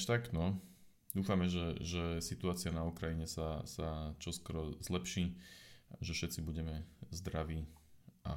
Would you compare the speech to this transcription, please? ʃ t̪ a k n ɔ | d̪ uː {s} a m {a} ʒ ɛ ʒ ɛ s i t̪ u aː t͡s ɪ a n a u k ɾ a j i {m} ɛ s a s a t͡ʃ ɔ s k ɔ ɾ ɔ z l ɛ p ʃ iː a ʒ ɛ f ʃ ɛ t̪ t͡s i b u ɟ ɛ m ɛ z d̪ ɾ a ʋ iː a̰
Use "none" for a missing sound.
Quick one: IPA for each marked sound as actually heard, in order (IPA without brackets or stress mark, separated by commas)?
f, ɛ, ɲ